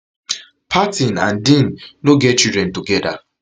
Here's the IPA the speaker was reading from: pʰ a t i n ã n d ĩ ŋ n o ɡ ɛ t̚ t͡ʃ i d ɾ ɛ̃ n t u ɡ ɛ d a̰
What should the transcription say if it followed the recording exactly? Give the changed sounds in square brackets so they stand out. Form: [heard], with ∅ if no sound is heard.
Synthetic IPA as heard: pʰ a t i n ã n d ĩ [n] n o ɡ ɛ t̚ t͡ʃ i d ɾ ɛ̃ n t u ɡ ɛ d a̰